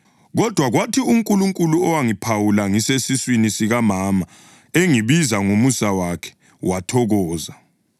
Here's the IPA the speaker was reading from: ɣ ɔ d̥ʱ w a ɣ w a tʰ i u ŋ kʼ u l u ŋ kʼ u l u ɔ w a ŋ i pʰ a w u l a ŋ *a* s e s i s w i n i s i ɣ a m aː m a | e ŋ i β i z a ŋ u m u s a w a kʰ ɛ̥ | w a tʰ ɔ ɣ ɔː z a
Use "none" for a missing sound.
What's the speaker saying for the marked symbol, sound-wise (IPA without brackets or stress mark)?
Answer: i